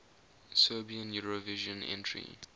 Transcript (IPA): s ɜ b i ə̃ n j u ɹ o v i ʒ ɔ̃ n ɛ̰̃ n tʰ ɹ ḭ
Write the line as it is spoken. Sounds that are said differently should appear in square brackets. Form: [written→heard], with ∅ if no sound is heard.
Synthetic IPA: s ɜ b i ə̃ n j u ɹ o v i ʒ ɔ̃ n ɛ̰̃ n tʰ ɹ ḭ